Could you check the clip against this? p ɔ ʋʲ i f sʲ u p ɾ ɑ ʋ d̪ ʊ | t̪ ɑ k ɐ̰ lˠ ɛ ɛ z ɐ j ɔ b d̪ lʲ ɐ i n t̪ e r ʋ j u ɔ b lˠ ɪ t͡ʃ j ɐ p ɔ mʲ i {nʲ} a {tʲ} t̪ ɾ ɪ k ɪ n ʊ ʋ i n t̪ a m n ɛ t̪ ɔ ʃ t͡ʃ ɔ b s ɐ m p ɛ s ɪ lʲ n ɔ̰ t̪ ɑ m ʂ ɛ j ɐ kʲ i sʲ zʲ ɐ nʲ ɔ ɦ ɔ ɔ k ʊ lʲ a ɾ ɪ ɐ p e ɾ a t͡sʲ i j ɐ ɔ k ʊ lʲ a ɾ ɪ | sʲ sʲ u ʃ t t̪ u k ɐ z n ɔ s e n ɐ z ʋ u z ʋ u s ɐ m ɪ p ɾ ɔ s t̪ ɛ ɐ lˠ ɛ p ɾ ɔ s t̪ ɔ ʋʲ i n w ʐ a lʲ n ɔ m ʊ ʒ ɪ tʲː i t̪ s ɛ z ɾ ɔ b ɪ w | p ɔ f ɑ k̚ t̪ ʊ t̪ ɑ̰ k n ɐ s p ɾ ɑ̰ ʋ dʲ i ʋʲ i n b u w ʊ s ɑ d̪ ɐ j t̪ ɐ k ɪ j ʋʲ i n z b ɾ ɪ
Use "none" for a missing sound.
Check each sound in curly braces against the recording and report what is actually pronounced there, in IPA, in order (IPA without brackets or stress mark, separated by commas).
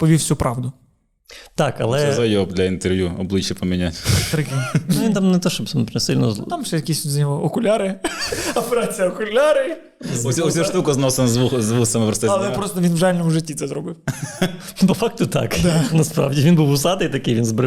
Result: nʲ, tʲ